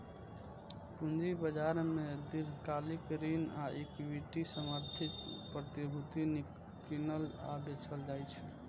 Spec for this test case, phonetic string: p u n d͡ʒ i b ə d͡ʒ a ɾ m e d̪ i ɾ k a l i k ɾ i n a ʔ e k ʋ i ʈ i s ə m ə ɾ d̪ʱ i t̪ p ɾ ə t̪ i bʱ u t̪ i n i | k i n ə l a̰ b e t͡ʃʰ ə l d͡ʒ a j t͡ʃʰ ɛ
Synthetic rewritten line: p u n d͡ʒ i b ə d͡ʒ a ɾ m e d̪ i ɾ k a l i k ɾ i n a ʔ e k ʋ i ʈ i s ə m ə ɾ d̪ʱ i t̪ p ɾ ə t̪ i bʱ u t̪ i n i | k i n ə l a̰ b e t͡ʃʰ ə l d͡ʒ a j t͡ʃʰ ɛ